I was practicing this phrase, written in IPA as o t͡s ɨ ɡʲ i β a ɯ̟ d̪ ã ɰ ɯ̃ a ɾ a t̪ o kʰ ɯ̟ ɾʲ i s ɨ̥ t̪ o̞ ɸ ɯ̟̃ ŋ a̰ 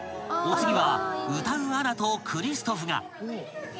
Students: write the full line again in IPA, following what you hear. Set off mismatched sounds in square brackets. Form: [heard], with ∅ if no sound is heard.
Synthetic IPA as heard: o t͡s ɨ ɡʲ i β a ɯ̟ [t̪] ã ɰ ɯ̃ a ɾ a t̪ o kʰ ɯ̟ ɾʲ i s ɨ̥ t̪ o̞ ɸ [ɯ̟] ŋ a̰

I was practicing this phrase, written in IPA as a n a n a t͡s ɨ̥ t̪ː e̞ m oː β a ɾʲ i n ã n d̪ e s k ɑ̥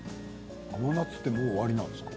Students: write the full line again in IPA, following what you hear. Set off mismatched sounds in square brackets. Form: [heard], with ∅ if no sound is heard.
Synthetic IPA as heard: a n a n a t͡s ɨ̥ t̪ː e̞ m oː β a ɾʲ i n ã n d̪ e s k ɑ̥

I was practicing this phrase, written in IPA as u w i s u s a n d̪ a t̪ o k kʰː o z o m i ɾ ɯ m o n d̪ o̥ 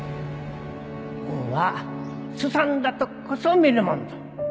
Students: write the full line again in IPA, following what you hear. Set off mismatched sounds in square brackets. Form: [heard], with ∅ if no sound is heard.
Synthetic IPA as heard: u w [a] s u s a n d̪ a t̪ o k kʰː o [s] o m i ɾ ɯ m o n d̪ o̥

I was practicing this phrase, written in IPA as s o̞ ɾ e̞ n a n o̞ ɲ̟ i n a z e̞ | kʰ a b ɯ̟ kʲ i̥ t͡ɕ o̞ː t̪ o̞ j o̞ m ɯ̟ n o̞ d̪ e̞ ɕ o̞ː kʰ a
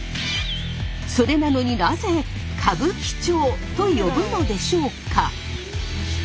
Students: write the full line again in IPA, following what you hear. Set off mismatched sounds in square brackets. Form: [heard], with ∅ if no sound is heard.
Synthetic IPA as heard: s o̞ ɾ e̞ n a n o̞ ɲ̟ i n a z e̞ | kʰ a b ɯ̟ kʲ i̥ t͡ɕ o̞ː t̪ o̞ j o̞ [b] ɯ̟ n o̞ d̪ e̞ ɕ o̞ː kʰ a

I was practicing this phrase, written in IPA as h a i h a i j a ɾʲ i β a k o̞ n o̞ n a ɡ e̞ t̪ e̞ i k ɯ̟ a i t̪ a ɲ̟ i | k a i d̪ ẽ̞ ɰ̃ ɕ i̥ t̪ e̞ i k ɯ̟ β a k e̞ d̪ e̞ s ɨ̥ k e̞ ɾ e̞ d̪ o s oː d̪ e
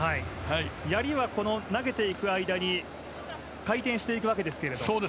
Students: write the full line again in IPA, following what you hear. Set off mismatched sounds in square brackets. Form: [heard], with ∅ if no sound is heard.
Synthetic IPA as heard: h a i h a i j a ɾʲ i β a k o̞ n o̞ n a ɡ e̞ t̪ e̞ i k ɯ̟ a i [d̪] a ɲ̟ i | k a i [t̪] ẽ̞ ɰ̃ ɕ i̥ t̪ e̞ i k ɯ̟ β a k e̞ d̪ e̞ s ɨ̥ k e̞ ɾ e̞ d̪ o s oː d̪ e

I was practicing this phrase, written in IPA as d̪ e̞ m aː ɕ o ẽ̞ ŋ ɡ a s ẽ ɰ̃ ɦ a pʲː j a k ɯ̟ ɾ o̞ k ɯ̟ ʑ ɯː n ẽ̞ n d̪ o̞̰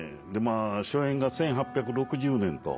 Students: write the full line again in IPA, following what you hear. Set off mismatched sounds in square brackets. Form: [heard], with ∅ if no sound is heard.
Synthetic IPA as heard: d̪ e̞ m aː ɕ o ẽ̞ ŋ ɡ a s ẽ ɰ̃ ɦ a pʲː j a k ɯ̟ ɾ o̞ k ɯ̟ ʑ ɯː n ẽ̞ n [t̪] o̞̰

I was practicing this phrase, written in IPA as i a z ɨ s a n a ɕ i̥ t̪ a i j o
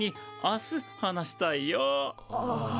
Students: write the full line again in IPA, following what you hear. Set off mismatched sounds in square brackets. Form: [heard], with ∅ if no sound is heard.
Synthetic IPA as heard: i a [s] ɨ [h] a n a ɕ i̥ t̪ a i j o

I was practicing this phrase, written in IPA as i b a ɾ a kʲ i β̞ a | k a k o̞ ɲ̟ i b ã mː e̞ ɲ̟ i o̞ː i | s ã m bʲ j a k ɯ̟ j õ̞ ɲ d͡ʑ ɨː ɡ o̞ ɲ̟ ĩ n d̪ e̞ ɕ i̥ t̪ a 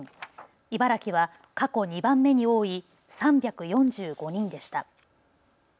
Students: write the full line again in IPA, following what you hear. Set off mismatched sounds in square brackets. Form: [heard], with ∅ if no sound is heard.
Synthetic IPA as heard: i b a ɾ a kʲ i β̞ a | k a k o̞ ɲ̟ i b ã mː e̞ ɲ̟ i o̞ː i | s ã m bʲ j a k ɯ̟ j õ̞ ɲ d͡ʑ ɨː ɡ o̞ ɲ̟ ĩ n d̪ e̞ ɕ i̥ t̪ a

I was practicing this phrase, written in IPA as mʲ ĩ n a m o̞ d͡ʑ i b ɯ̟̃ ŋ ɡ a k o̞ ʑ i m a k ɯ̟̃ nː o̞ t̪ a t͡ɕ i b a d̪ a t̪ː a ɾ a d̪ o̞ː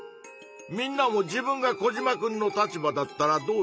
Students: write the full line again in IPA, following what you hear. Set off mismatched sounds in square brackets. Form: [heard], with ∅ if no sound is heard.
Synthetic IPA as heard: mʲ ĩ [nː] a m o̞ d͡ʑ i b ɯ̟̃ ŋ ɡ a k o̞ ʑ i m a k ɯ̟̃ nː o̞ t̪ a t͡ɕ i b a d̪ a t̪ː a ɾ a d̪ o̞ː

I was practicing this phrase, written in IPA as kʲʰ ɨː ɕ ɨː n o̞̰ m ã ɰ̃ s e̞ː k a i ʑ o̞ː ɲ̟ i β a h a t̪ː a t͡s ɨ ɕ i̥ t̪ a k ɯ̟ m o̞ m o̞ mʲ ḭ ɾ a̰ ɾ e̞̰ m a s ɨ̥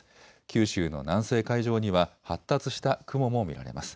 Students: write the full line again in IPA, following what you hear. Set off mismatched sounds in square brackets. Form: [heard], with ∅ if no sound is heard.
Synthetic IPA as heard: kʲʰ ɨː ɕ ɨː n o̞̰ [n] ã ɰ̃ s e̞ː k a i ʑ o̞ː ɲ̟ i β a h a t̪ː a t͡s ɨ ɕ i̥ t̪ a k ɯ̟ m o̞ m o̞ mʲ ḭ ɾ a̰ ɾ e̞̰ m a s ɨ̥

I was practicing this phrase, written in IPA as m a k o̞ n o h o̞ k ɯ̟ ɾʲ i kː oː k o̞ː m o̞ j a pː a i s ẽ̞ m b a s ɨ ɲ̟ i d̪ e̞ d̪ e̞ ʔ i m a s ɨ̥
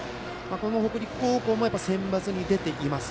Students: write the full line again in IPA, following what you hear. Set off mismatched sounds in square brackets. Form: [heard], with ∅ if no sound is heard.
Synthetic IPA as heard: m a k o̞ n o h o̞ k ɯ̟ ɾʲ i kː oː k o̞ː m o̞ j a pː a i s ẽ̞ m b a [t͡s] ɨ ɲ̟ i d̪ e̞ [t̪] e̞ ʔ i m a s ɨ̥

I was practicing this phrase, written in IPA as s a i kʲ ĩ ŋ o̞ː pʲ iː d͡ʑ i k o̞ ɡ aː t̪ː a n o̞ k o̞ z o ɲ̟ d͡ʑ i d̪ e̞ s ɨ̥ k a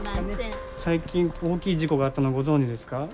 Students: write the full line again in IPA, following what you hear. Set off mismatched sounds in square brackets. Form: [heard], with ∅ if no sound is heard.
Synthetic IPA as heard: s a i kʲ ĩ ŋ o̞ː [kʲ] iː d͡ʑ i k o̞ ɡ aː t̪ː a n o̞ [ɡ] o̞ z [õ] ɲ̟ d͡ʑ i d̪ e̞ s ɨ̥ k a

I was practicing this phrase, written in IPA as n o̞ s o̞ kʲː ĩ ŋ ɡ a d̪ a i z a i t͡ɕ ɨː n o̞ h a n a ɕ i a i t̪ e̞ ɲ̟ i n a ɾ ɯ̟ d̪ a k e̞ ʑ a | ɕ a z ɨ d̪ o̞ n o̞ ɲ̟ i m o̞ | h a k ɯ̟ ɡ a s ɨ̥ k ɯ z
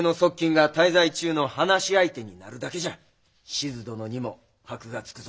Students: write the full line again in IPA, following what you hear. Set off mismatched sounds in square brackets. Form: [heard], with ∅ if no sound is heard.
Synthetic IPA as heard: n o̞ s o̞ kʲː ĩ ŋ ɡ a [t̪] a i z a i t͡ɕ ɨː n o̞ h a n a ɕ i a i t̪ e̞ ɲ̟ i n a ɾ ɯ̟ d̪ a k e̞ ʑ a | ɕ [i] z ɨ d̪ o̞ n o̞ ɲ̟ i m o̞ | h a k ɯ̟ ɡ a [t͡s] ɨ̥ k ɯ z

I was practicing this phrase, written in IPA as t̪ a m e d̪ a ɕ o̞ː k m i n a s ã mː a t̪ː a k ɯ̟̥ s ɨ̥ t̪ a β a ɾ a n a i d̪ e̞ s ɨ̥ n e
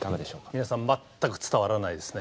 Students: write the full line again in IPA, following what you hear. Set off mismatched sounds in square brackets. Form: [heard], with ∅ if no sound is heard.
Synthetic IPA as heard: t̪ a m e d̪ [e] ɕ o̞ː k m i n a s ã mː a t̪ː a k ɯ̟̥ [t͡s] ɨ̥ t̪ a β a ɾ a n a i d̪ e̞ s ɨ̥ n e

